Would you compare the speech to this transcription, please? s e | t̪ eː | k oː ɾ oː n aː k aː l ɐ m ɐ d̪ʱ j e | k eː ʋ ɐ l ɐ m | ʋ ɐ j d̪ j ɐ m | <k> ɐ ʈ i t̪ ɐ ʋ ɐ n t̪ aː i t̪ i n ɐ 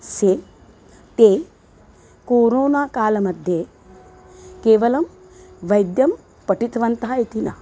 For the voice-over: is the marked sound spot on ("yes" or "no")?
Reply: no